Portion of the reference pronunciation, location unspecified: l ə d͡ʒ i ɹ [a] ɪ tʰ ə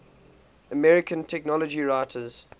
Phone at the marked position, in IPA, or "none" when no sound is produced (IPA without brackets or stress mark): a